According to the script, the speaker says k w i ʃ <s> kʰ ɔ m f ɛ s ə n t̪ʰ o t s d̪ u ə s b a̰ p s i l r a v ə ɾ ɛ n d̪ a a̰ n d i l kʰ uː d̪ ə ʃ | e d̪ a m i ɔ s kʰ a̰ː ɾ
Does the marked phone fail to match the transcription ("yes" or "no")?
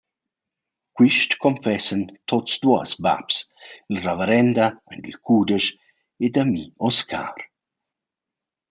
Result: yes